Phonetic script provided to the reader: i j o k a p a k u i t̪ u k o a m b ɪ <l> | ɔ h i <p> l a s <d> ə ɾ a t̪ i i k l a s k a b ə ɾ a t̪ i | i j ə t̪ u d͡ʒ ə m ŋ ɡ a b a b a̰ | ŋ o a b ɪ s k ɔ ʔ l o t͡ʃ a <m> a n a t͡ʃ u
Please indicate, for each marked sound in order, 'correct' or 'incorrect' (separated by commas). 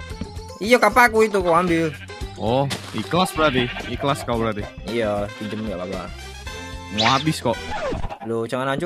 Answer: correct, incorrect, incorrect, incorrect